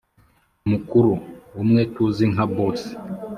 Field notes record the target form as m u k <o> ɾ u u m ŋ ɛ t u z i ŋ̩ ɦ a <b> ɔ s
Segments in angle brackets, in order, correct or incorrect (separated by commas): incorrect, correct